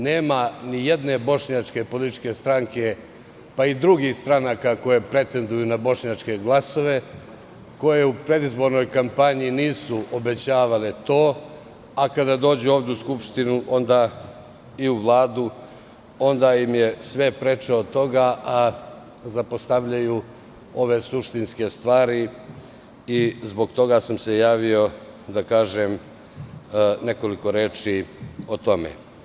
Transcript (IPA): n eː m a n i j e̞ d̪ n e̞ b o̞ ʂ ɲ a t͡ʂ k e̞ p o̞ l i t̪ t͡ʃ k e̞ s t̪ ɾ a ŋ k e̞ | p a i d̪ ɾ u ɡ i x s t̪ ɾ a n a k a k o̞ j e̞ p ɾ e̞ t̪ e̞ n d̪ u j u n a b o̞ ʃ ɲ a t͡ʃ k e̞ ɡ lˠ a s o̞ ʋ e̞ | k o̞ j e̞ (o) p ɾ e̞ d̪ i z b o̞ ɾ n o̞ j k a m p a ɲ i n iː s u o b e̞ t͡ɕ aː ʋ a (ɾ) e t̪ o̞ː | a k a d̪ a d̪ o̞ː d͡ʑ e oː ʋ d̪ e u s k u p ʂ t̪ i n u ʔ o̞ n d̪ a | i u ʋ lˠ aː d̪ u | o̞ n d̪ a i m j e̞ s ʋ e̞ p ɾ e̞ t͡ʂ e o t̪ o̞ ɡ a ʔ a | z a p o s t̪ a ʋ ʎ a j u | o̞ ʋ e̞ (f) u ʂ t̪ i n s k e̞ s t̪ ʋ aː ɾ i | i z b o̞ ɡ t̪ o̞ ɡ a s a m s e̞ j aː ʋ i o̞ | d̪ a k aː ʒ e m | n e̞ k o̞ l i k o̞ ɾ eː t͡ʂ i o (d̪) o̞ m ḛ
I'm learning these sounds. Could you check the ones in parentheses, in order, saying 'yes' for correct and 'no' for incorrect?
no, no, no, no

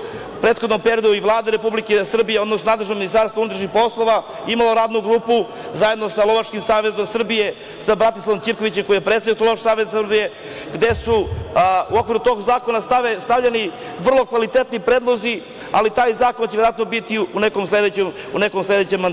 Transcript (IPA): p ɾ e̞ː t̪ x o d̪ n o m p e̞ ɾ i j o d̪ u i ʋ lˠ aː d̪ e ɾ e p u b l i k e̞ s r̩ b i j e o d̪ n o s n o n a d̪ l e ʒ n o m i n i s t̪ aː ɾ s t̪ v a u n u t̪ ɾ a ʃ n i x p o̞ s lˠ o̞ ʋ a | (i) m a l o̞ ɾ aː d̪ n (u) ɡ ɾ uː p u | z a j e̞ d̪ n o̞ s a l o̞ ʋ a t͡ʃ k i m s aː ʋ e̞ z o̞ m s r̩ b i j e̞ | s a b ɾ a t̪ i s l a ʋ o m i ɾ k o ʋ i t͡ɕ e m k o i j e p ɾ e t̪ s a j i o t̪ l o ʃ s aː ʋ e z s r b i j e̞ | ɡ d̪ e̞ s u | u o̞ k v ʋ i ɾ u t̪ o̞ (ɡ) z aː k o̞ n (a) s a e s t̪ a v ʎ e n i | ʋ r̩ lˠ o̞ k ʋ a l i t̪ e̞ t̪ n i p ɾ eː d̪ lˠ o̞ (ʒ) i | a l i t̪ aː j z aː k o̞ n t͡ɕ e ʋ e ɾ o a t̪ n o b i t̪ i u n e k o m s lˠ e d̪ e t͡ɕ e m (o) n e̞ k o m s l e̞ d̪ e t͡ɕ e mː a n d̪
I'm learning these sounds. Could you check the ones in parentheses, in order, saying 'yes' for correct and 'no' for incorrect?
yes, yes, yes, yes, no, no

